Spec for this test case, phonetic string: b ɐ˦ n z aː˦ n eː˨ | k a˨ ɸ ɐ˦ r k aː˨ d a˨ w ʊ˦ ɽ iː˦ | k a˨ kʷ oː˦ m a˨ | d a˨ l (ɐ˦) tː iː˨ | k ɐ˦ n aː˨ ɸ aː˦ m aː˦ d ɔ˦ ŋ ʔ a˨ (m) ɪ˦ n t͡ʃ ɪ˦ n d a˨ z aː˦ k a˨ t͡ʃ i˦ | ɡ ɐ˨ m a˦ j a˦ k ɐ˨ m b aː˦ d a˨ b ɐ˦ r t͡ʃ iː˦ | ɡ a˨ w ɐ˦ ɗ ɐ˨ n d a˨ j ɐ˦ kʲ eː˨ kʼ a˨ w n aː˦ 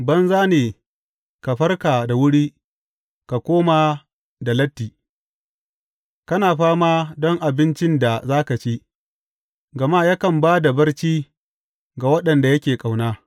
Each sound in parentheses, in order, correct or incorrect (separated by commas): correct, incorrect